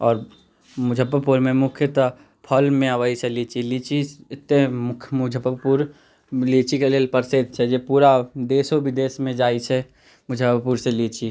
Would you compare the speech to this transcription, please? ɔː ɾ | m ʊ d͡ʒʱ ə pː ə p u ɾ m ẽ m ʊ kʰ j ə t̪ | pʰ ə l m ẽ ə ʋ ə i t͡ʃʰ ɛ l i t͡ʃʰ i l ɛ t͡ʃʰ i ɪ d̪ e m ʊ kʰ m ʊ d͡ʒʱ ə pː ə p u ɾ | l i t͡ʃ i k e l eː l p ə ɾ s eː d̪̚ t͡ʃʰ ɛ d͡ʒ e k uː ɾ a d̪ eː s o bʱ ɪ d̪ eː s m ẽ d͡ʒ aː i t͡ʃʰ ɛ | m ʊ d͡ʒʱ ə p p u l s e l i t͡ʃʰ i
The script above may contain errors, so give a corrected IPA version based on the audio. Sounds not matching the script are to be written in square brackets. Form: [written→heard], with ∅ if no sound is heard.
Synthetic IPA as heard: ɔː ɾ | m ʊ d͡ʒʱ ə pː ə p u ɾ m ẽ m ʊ kʰ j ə t̪ | pʰ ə l m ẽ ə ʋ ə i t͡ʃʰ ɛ l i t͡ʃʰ i l [ɛ→i] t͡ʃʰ i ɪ [d̪→t̪] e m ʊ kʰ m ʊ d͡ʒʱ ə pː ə p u ɾ | l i t͡ʃ i k e l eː l p ə ɾ s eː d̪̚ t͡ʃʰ ɛ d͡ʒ e [k→p] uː ɾ a d̪ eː s o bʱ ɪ d̪ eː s m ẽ d͡ʒ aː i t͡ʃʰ ɛ | m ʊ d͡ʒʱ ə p p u [l→ɾ] s e l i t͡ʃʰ i